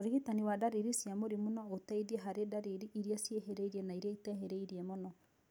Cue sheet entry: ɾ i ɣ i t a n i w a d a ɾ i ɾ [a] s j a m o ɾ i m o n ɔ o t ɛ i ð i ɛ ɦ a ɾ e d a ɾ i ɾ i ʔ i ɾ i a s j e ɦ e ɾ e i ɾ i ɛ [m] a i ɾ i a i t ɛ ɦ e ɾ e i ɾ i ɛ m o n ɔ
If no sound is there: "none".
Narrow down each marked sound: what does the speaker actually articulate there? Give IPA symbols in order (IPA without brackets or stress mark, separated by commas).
i, n